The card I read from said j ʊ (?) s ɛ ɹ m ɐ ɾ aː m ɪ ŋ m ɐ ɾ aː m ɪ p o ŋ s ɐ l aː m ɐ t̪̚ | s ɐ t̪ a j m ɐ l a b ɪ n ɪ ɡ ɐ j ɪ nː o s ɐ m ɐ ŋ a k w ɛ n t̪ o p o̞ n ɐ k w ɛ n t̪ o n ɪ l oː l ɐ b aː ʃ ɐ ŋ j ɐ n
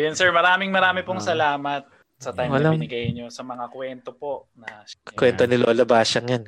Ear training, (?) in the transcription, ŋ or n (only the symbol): n